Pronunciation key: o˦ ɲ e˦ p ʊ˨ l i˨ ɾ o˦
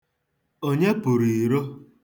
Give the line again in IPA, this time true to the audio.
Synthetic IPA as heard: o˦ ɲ e˦ p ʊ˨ ɾ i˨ ɾ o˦